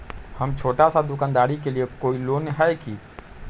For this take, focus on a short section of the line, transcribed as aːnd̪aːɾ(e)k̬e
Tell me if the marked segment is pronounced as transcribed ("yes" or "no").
no